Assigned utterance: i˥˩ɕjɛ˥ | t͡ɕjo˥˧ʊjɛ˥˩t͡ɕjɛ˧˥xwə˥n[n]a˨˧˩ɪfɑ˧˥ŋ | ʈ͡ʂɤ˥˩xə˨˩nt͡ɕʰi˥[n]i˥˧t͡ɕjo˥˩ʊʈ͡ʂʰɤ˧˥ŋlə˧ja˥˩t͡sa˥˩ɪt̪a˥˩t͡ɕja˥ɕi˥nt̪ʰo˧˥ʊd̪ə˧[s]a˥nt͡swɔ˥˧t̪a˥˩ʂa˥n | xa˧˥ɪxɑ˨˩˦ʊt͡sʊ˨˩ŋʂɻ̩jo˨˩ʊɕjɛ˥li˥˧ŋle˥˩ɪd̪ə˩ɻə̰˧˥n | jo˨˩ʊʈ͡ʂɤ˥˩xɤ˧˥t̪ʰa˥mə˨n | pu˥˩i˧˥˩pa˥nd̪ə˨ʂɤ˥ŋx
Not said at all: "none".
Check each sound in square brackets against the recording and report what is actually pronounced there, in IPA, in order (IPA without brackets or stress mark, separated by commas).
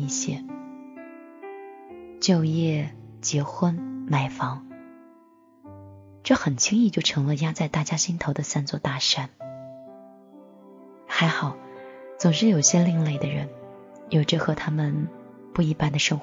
m, ŋ, s